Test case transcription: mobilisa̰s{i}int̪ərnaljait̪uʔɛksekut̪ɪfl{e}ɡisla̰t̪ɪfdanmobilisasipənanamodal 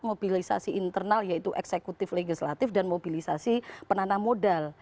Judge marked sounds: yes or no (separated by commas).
yes, yes